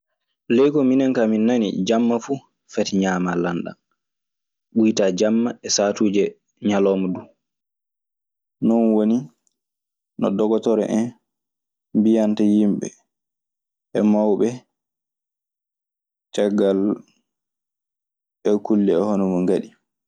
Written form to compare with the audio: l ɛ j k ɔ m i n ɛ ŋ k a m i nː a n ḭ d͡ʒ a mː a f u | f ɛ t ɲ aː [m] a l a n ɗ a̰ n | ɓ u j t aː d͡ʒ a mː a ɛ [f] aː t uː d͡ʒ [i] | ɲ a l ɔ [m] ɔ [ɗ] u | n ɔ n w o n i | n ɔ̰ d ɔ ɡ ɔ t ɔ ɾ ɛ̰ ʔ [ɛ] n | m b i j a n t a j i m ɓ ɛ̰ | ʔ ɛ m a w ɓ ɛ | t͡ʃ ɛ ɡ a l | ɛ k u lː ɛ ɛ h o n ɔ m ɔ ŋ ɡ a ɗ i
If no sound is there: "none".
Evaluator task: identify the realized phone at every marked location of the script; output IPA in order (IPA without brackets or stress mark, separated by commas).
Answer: m, s, ɛ, m, d, ɛ